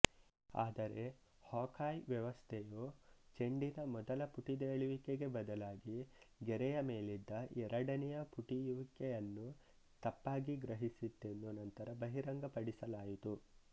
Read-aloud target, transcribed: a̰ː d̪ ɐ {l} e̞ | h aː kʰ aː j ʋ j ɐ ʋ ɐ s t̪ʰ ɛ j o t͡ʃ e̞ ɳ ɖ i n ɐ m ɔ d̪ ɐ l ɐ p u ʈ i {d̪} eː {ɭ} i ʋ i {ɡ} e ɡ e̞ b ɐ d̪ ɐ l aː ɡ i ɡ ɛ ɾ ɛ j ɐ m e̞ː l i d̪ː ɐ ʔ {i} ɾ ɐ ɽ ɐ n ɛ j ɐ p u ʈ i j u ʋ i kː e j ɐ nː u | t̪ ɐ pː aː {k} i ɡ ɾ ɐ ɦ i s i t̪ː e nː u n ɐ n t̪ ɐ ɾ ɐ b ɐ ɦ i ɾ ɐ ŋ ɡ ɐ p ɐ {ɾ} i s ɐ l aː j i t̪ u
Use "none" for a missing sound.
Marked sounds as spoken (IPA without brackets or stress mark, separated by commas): ɾ, d̪, ɭ, k, ɛ, ɡ, ɽ